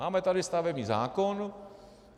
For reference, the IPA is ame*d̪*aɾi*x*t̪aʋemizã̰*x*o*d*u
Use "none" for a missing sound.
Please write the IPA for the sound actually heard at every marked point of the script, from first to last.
t̪, s, k, n

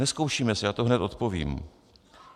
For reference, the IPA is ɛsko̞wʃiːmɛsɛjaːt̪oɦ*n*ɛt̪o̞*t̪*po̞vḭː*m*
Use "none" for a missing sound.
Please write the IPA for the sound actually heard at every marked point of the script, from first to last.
n, t̪, m

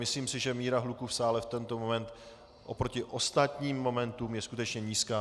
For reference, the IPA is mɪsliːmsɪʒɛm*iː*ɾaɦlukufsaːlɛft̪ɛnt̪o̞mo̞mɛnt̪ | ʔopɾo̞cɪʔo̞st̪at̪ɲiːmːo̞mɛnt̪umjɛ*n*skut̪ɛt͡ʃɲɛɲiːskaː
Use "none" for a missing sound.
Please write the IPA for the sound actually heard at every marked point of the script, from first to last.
iː, none

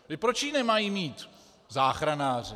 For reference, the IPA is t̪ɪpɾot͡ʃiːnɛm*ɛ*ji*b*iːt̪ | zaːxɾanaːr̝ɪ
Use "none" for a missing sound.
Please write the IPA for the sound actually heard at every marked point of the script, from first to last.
a, m

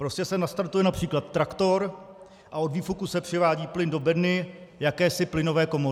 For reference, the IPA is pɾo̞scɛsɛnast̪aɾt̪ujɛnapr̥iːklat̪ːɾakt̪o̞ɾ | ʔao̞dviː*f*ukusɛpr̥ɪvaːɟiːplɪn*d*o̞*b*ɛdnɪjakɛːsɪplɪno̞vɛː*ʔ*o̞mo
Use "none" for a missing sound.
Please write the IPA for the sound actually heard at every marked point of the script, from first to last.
f, d, b, k

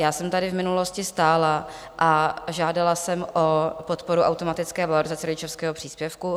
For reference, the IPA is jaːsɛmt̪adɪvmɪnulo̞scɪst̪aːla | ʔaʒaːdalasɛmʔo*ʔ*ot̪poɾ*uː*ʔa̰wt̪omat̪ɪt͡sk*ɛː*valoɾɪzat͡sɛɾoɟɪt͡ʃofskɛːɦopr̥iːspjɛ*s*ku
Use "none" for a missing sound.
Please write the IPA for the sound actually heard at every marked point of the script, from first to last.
p, u, ɛː, f

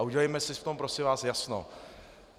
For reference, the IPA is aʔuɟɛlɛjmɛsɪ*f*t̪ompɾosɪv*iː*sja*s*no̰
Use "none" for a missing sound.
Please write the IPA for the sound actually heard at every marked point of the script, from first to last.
f, aː, s

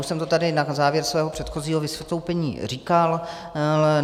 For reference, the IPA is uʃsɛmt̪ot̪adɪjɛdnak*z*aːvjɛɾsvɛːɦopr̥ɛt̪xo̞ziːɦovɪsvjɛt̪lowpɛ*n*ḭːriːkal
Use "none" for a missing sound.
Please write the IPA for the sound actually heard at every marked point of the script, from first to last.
z, ɲ

